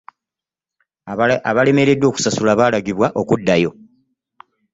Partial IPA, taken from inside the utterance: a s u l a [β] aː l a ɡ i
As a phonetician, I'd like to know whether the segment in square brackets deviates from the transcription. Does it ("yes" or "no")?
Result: no